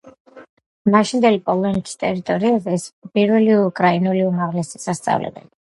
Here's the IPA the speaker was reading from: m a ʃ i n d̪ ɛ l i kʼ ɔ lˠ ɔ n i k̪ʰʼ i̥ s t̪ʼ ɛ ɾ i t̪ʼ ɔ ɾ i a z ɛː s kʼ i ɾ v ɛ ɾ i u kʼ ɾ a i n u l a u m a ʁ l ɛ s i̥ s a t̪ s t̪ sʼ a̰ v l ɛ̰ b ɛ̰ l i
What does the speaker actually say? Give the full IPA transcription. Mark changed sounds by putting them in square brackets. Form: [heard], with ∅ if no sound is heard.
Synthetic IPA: m a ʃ i n d̪ ɛ l i [pʼ] ɔ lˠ ɔ n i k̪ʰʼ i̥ s t̪ʼ ɛ ɾ i t̪ʼ ɔ ɾ i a z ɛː s [pʼ] i ɾ v ɛ [l] i u kʼ ɾ a i n u l [i] u m a ʁ l ɛ s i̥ s a [∅] s t̪ sʼ a̰ v l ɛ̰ b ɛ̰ l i